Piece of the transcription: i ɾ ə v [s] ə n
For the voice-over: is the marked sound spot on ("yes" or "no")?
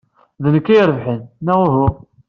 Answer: no